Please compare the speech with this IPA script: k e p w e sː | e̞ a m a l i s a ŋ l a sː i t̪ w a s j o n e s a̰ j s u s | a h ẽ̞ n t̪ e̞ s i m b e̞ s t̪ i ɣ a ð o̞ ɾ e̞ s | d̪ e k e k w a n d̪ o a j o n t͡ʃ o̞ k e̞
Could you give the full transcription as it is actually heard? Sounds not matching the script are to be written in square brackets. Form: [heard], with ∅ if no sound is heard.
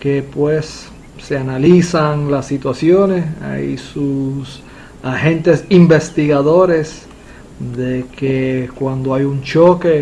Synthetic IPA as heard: k e p w e sː | e̞ a [n] a l i s a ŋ l a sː i t̪ w a s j o n e s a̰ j s u s | a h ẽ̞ n t̪ e̞ s i m b e̞ s t̪ i ɣ a ð o̞ ɾ e̞ s | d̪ e k e k w a n d̪ o a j [u] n t͡ʃ o̞ k e̞